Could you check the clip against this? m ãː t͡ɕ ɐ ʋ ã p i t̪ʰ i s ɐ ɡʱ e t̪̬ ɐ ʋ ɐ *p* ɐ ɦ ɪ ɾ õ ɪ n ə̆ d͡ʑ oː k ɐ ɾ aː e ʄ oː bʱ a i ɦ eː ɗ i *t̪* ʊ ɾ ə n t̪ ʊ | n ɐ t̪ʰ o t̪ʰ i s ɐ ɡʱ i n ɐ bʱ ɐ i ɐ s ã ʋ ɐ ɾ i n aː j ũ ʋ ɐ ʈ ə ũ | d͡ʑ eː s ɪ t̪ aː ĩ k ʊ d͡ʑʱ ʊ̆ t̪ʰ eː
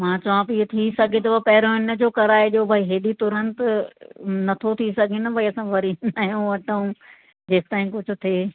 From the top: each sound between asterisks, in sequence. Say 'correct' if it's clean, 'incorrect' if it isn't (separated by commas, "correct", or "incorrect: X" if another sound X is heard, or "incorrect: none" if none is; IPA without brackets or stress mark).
correct, correct